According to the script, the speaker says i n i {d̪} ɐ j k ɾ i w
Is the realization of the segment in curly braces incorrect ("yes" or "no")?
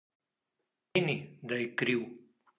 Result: no